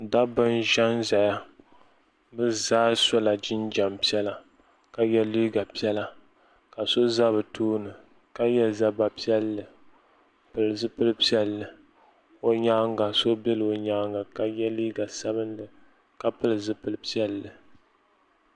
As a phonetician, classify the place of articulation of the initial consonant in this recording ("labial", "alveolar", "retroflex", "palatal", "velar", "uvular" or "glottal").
alveolar